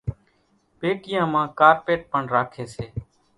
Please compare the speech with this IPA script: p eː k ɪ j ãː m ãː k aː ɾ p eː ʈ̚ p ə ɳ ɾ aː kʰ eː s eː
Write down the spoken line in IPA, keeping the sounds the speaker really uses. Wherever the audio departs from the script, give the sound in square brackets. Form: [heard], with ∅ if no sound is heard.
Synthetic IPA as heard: p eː k ɪ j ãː m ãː k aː ɾ p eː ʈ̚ p ə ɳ ɾ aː kʰ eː s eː